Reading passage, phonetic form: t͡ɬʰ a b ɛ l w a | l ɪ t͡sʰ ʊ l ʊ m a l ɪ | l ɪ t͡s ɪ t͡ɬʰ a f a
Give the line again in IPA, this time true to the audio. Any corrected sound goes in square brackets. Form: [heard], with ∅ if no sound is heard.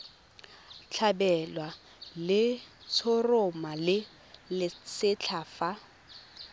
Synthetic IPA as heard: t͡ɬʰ a b ɛ l w a | l ɪ t͡sʰ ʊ [r] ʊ m a l ɪ | l ɪ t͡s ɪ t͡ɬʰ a f a

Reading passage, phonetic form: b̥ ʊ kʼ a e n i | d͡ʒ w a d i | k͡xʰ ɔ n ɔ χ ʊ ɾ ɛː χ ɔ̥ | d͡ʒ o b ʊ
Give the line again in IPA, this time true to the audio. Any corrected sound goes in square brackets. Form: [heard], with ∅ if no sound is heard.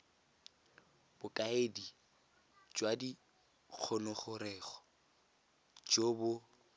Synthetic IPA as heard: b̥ ʊ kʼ a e [d] i | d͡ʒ w a d i | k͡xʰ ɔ n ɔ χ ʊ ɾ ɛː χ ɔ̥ | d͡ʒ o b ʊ

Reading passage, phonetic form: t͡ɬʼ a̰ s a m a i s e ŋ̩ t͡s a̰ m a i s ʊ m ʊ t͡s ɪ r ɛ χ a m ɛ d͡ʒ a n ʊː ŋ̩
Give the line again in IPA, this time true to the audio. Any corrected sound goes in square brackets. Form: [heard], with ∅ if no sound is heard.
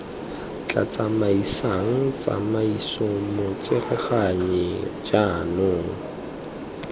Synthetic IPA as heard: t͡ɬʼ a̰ [t͡s] a m a i s [a] ŋ̩ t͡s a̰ m a i s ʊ m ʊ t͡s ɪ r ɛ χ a [ɲ] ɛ d͡ʒ a n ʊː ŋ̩

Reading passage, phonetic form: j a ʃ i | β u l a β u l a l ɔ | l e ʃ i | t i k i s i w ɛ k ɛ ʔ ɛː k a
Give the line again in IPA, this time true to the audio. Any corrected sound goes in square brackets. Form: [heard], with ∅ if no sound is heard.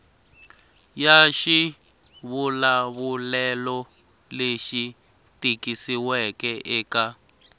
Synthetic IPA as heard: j a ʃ i | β u l a β u l [ɛ] l ɔ | l e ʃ i | t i k i s i w ɛ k ɛ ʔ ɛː k a

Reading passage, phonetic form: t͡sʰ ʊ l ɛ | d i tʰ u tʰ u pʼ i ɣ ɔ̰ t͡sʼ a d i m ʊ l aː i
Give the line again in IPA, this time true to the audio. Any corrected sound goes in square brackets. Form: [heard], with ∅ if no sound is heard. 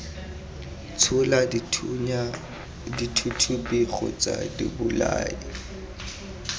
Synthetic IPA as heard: t͡sʰ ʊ l [a] | d i tʰ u tʰ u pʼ i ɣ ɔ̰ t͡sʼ a d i [b] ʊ l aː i

